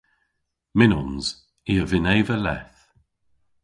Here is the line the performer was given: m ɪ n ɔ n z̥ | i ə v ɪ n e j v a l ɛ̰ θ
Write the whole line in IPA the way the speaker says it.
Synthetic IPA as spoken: m ɪ n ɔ n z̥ | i ə v ɪ n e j v ə l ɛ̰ θ